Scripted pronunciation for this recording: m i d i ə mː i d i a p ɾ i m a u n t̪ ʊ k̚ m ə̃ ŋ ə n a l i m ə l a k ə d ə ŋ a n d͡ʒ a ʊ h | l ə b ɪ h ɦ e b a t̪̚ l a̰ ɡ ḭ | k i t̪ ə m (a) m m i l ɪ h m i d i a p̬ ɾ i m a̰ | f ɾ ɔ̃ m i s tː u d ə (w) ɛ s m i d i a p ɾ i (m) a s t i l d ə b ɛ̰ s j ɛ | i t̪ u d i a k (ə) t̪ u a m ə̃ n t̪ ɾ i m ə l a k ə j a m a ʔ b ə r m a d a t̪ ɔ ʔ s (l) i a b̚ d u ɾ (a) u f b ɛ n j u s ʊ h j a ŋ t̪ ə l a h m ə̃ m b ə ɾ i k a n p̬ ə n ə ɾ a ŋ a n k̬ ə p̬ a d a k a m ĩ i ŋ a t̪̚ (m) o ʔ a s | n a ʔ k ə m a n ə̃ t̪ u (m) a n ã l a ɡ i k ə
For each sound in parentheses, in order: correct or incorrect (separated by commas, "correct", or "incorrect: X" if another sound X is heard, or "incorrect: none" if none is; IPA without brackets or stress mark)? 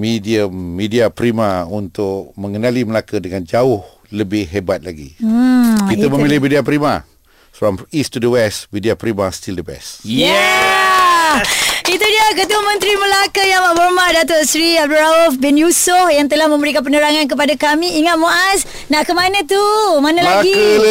incorrect: ə, correct, correct, correct, incorrect: ɾ, correct, correct, correct